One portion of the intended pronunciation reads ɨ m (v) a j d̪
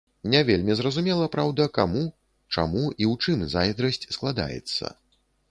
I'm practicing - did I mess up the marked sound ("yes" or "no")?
yes